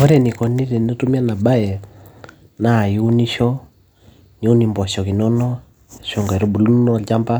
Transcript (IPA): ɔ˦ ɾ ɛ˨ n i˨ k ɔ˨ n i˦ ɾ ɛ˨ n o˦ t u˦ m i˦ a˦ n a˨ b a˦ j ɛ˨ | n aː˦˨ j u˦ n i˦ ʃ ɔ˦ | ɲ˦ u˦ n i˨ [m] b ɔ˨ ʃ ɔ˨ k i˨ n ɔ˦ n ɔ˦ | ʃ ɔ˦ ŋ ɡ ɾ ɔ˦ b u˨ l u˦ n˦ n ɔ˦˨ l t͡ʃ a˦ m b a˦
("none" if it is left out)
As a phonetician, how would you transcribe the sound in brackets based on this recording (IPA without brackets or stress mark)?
m